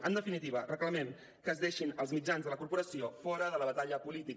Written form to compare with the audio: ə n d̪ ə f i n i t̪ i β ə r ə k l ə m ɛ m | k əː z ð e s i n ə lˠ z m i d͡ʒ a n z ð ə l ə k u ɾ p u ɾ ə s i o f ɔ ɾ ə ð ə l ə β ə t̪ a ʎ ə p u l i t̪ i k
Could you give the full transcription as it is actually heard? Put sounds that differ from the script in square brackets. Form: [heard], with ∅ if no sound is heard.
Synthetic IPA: ə n d̪ ə f i n i t̪ i β ə r ə k l ə m ɛ m | k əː z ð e [ʃ] i n ə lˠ z m i d͡ʒ a n z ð ə l ə k u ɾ p u ɾ ə s i o f ɔ ɾ ə ð ə l ə β ə t̪ a ʎ ə p u l i t̪ i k